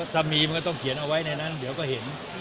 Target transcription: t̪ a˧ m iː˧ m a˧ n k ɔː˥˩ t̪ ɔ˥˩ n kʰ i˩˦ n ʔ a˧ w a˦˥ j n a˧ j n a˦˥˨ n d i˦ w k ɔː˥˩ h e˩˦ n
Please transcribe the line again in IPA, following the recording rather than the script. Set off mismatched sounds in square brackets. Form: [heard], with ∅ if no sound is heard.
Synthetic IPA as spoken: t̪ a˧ m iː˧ m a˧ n k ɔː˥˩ t̪ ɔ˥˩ [ŋ] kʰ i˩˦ n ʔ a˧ w a˦˥ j n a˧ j n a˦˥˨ n d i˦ w k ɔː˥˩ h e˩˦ n